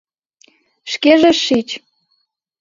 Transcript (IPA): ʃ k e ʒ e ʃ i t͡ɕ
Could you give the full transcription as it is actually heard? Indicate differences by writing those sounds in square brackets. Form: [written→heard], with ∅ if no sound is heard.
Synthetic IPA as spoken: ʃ k e ʒ e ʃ i t͡ɕ